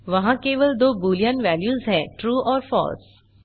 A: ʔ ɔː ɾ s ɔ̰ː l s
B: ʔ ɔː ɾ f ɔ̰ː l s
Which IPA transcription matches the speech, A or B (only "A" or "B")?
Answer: B